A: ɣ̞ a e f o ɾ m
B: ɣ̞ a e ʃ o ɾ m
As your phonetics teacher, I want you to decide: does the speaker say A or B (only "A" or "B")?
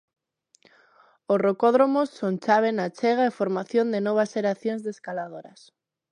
A